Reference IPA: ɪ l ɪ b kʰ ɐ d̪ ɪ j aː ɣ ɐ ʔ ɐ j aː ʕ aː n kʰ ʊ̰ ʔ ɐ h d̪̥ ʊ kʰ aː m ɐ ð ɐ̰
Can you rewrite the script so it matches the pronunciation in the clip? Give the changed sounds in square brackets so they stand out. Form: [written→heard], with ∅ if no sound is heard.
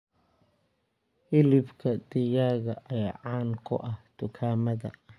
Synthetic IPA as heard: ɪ l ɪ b kʰ ɐ d̪ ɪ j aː ɣ ɐ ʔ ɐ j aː ʕ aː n kʰ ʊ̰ ʔ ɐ h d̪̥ ʊ kʰ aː m ɐ ð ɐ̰